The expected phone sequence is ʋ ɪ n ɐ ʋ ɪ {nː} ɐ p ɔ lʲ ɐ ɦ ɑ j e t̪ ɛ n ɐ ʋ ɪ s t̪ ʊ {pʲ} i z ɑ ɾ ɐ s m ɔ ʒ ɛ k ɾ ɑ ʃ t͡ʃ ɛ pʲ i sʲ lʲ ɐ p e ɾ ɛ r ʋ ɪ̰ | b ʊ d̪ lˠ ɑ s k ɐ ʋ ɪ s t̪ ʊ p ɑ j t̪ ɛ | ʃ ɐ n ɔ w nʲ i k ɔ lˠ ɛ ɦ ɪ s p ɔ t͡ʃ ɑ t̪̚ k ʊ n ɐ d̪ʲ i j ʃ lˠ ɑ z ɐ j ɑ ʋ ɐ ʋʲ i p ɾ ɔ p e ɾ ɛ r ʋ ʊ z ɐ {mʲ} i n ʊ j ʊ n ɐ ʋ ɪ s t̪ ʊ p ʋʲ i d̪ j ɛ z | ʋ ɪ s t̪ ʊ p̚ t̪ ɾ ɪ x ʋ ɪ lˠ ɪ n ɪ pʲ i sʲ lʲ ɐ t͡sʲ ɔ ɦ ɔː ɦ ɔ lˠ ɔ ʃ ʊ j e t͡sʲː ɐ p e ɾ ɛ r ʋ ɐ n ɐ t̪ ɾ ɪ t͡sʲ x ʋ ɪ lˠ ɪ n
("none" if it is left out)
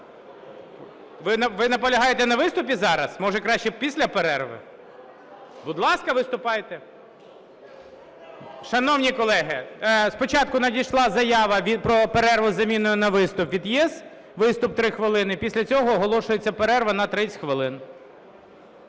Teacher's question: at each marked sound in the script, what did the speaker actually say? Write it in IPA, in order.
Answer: n, pʲ, mʲ

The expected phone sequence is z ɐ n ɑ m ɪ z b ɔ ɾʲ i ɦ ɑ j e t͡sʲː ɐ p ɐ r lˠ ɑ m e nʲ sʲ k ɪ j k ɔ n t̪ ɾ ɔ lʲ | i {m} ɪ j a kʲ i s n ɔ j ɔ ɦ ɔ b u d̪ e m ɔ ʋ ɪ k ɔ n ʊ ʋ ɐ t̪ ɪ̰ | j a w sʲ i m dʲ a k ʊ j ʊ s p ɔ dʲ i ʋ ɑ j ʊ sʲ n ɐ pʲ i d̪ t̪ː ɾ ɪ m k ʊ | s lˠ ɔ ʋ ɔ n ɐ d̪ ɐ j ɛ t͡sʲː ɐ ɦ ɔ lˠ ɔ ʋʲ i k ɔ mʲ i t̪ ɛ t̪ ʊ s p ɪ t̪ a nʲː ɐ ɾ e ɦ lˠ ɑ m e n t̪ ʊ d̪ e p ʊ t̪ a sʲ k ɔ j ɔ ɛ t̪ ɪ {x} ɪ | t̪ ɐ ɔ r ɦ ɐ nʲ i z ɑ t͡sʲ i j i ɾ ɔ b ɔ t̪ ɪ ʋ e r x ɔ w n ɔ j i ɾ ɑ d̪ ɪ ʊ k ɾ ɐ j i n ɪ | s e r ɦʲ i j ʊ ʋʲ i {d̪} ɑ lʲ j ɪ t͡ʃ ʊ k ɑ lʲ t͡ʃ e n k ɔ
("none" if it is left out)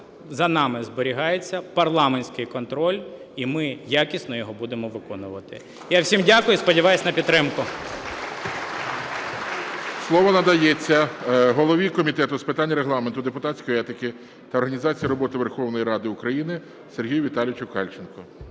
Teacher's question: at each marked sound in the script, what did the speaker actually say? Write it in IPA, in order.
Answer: m, k, t̪

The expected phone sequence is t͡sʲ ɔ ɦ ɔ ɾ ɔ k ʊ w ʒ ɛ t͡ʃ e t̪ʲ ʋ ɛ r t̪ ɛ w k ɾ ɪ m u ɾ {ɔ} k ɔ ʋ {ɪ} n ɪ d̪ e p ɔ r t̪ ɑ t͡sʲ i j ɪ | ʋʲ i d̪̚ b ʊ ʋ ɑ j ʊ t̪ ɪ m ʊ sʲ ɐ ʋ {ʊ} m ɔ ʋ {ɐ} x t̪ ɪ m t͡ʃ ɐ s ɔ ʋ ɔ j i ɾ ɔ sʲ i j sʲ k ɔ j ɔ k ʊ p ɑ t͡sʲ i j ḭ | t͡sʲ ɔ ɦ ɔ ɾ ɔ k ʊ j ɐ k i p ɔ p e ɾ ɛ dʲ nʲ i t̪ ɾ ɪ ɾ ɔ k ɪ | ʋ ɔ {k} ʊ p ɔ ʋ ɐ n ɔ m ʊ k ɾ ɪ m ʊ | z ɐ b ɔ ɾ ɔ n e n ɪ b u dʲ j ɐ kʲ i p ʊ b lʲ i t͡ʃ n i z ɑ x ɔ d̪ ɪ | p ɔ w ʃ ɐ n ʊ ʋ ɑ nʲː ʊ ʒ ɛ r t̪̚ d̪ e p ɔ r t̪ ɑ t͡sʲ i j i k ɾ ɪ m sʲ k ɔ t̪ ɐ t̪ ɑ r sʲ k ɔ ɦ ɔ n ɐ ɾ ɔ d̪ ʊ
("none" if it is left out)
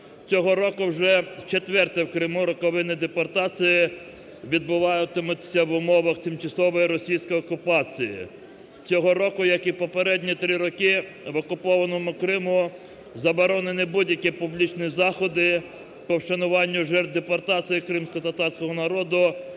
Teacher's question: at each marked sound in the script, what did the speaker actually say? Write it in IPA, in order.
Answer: ɔ, ɪ, ʊ, ɐ, k

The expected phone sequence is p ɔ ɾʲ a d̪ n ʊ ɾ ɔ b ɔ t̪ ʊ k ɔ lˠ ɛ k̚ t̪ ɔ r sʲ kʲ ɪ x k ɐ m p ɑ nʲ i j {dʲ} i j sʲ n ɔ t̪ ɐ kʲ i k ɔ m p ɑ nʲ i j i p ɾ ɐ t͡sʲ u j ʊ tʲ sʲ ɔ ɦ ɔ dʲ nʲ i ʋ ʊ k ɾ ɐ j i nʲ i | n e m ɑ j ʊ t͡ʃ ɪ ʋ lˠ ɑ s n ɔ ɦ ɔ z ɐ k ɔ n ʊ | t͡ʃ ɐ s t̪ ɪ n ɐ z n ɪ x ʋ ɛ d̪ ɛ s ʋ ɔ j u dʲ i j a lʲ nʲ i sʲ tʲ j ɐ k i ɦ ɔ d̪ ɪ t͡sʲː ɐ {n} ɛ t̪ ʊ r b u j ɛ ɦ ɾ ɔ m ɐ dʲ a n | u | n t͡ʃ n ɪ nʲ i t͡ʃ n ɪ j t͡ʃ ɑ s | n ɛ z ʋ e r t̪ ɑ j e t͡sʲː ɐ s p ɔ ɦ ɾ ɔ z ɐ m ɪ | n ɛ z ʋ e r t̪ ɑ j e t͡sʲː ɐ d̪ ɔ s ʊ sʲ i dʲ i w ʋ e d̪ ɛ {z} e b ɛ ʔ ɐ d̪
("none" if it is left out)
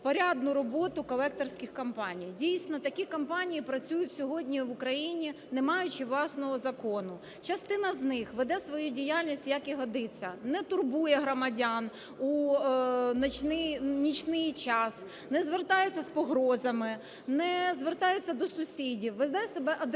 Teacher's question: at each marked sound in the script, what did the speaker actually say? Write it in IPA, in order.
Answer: dʲ, n, s

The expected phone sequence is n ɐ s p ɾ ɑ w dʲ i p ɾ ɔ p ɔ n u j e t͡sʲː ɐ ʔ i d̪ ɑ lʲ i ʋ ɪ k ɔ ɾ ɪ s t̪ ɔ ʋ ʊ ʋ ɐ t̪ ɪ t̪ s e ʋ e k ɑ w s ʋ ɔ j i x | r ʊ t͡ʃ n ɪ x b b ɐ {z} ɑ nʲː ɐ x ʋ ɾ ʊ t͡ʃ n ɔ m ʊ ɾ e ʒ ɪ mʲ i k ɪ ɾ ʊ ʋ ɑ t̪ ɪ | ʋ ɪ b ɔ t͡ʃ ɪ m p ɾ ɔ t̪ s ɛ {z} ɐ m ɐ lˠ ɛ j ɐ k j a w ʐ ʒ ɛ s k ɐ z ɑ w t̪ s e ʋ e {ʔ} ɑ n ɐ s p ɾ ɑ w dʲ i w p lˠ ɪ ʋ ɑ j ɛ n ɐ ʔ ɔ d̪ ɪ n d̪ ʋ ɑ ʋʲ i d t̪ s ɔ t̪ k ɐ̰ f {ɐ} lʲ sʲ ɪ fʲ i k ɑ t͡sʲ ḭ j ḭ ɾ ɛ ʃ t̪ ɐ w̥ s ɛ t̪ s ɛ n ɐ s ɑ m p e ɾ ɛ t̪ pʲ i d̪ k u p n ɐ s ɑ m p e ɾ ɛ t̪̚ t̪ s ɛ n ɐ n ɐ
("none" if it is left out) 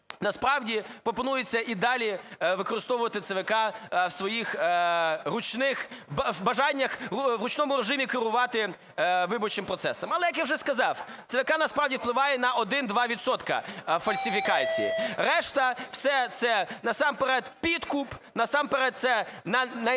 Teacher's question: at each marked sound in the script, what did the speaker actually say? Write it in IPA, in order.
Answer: ʒ, s, k, ɐ

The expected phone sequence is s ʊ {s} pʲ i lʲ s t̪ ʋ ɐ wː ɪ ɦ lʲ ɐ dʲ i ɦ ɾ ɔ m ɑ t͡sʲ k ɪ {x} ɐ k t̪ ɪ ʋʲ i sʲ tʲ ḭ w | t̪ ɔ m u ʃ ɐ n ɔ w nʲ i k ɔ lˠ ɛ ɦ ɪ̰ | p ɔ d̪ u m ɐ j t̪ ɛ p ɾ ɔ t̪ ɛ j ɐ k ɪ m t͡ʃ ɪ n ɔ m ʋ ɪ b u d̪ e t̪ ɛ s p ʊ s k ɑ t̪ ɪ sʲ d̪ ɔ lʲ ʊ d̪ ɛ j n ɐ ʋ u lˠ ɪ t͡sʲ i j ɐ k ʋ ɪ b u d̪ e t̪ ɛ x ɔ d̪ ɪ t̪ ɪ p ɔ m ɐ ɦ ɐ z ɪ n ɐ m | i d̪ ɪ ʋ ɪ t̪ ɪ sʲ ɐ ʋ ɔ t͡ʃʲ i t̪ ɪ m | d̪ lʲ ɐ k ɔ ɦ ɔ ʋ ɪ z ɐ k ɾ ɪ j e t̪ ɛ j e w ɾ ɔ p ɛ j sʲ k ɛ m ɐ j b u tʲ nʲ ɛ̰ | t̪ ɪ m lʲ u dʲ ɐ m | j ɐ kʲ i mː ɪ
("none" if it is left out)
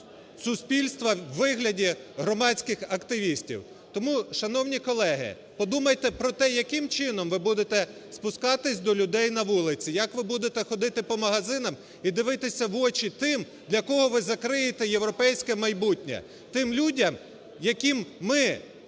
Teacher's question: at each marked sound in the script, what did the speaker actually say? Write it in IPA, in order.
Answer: s, x

